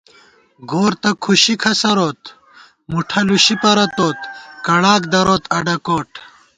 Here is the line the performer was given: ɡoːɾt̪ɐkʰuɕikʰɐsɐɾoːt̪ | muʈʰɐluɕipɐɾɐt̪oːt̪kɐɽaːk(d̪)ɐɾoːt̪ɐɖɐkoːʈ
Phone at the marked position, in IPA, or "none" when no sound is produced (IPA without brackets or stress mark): d̪